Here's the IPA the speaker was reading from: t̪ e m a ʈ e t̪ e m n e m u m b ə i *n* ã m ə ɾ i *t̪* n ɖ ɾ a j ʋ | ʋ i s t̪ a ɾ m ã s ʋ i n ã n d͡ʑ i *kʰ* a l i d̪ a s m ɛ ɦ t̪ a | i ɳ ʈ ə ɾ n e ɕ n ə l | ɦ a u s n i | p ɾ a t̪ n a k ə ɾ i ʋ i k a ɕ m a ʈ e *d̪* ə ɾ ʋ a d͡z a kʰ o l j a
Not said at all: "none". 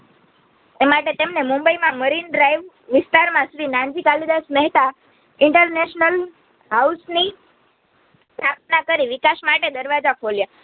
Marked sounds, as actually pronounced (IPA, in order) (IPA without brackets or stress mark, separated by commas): m, none, k, d̪